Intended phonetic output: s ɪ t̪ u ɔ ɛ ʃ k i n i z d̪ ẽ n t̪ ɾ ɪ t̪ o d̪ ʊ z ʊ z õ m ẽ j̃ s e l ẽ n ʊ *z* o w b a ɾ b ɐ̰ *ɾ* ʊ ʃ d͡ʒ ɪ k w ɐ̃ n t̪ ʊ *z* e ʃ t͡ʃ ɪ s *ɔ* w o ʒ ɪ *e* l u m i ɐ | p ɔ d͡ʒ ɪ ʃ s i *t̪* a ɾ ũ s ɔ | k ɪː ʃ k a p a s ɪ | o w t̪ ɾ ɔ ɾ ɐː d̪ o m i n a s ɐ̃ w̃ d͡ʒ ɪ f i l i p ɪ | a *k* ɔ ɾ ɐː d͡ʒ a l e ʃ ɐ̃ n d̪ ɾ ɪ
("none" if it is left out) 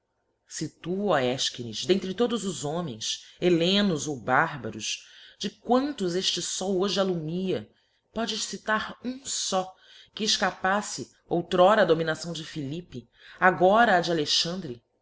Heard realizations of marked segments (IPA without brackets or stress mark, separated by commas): z, ɾ, z, ɔ, a, t̪, ɡ